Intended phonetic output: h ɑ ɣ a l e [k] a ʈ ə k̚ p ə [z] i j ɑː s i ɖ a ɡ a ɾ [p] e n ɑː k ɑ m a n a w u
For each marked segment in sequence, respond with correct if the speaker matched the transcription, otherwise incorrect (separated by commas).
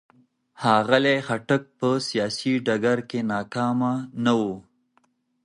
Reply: incorrect, incorrect, incorrect